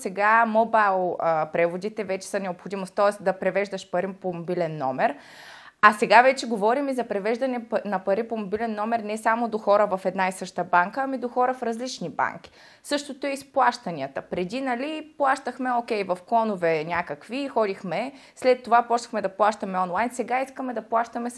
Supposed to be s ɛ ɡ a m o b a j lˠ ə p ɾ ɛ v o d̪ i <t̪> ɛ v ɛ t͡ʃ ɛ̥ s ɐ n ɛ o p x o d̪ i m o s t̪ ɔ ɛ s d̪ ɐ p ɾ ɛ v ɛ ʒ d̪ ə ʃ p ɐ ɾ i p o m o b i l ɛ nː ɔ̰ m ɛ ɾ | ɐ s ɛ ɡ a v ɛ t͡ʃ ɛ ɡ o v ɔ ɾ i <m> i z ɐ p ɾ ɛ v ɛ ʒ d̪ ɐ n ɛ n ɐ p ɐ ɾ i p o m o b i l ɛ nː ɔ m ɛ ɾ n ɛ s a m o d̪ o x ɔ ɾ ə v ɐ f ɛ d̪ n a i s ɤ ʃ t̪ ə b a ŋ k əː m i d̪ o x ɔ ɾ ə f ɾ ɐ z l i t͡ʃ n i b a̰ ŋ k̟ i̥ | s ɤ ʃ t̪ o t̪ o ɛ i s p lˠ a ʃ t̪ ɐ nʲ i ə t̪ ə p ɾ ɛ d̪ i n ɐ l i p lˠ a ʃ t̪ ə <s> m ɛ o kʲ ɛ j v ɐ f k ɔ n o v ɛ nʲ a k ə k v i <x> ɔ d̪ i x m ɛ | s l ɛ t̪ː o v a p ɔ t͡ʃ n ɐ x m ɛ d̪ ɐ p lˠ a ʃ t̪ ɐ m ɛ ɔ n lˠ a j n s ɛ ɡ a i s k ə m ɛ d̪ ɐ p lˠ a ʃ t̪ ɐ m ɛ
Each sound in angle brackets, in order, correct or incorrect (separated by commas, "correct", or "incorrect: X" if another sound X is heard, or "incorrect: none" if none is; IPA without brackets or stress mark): correct, correct, incorrect: x, correct